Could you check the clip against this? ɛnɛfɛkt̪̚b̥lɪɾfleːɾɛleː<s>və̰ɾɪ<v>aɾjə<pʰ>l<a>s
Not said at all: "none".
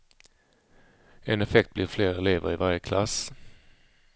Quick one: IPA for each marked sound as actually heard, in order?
none, v, kʰ, a

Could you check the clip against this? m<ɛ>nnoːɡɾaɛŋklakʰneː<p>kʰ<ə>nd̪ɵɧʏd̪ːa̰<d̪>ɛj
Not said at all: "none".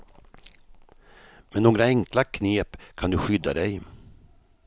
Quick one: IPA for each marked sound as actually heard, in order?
ɛ, p, a, d̪

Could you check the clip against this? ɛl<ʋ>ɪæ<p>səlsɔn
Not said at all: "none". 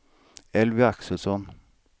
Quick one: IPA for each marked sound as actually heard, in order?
ʋ, k

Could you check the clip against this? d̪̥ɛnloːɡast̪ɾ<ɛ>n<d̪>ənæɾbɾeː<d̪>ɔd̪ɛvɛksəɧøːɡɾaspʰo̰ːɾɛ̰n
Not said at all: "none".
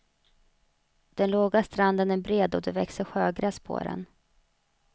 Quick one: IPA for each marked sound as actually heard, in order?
a, d̪, d̪

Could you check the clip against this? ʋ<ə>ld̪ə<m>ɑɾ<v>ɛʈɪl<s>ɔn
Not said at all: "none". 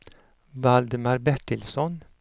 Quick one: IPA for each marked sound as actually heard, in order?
ɑ, m, b, s

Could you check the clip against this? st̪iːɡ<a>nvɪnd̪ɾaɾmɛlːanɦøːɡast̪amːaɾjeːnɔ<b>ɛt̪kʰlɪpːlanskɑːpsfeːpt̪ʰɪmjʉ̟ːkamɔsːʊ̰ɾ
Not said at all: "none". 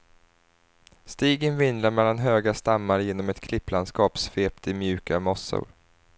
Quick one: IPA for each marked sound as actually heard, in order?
ə, m

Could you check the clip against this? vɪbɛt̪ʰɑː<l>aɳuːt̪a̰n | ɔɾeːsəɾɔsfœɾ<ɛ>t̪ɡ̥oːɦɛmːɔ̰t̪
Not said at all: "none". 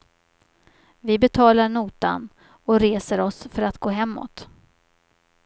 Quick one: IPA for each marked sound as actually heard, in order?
l, a

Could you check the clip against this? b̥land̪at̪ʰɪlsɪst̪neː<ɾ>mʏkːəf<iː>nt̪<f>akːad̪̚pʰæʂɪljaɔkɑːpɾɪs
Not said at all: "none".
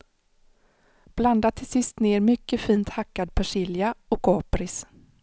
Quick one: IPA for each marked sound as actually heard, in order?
ɾ, iː, h

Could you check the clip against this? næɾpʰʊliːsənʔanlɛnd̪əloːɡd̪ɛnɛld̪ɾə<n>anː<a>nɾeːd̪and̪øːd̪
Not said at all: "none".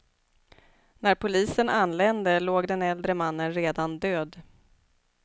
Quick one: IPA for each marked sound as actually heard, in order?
m, ə

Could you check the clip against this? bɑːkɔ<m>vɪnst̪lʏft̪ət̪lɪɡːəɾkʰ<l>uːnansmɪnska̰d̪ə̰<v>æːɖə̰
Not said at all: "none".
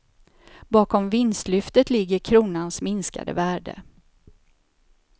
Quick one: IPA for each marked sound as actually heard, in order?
m, ɾ, v

